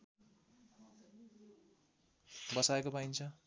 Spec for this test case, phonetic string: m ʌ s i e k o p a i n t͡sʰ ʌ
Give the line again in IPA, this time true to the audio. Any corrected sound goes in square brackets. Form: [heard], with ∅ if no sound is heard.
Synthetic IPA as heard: [b] ʌ s [a] e k o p a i n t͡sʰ ʌ